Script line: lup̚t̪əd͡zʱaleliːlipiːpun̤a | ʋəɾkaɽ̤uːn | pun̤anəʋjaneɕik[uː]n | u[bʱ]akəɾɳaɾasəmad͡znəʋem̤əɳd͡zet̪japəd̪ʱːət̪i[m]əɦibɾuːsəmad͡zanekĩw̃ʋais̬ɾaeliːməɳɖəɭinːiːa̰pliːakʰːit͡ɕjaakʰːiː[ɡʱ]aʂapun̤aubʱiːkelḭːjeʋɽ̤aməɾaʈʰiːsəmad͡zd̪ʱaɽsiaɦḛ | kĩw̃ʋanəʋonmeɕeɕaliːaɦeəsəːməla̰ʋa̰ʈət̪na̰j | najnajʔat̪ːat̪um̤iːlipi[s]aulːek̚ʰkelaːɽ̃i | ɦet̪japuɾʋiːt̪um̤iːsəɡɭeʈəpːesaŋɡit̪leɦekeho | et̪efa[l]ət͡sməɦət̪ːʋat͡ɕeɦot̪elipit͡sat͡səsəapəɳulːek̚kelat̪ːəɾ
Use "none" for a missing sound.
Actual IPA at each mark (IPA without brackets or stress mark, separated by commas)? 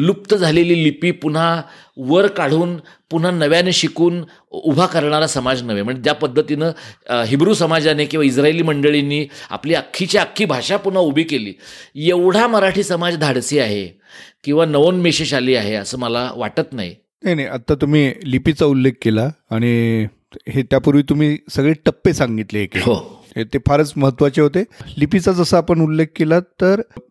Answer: uː, bʱ, n, bʱ, t͡s, ɾ